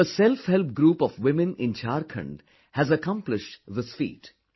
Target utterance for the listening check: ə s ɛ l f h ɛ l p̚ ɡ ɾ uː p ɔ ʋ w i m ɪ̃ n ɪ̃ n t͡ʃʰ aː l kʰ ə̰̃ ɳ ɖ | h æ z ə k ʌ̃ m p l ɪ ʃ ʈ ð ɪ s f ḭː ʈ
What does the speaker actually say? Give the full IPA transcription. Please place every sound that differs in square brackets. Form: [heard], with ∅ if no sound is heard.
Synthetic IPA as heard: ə s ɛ l f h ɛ l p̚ ɡ ɾ uː p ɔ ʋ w [ɪ] m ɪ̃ n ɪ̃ n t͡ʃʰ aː [ɾ] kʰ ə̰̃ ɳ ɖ | h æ z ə k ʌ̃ m p l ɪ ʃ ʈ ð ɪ s f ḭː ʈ